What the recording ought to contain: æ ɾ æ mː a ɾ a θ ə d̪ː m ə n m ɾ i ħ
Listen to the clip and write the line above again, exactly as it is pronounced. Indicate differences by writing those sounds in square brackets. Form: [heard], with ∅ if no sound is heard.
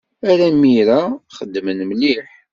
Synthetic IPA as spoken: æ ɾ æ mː [i] ɾ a [χ] ə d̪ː m ə n m [l] i ħ